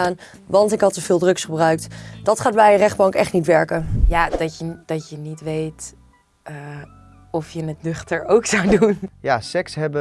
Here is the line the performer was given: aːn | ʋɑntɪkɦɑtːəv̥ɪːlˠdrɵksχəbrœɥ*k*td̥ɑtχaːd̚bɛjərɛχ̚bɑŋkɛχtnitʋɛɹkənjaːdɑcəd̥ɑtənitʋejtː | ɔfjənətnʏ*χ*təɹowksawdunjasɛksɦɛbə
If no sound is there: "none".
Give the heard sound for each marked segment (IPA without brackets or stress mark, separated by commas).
k, χ